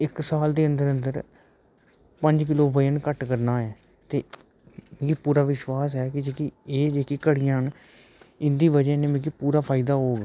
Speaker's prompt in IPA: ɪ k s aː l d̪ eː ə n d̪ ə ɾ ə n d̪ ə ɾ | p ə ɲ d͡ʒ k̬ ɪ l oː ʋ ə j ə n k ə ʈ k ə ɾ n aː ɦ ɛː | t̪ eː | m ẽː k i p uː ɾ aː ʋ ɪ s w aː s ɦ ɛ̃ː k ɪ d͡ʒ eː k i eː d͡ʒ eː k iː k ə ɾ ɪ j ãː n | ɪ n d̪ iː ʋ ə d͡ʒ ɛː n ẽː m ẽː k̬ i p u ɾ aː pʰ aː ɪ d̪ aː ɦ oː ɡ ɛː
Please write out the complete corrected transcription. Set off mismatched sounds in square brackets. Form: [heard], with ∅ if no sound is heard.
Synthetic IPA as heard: ɪ k s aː l d̪ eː ə n d̪ ə ɾ ə n d̪ ə ɾ | p ə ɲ d͡ʒ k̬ ɪ l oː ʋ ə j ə n k ə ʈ k ə ɾ n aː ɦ ɛː | t̪ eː | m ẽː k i p uː ɾ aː ʋ ɪ [ʃ] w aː s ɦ [ɛː] k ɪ d͡ʒ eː k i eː d͡ʒ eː k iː k ə [ɽ] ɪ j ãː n | ɪ n d̪ iː ʋ ə d͡ʒ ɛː n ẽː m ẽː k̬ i p [uː] ɾ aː pʰ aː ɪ d̪ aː ɦ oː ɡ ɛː